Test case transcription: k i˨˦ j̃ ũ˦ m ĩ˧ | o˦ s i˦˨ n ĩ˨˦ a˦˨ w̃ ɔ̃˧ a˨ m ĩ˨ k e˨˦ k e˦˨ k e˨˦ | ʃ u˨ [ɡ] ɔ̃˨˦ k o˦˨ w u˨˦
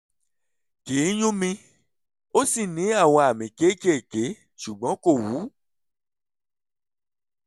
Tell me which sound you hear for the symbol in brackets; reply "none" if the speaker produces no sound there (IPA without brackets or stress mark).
ɡ͡b